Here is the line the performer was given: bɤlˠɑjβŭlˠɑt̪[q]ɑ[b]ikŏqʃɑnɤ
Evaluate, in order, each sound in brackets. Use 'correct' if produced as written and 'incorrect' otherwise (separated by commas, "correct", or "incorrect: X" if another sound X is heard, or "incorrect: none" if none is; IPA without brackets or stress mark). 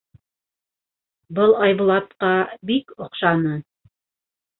correct, correct